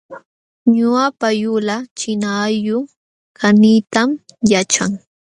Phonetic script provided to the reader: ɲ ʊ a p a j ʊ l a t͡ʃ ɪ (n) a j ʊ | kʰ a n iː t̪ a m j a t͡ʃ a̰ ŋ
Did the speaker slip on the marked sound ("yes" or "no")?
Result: no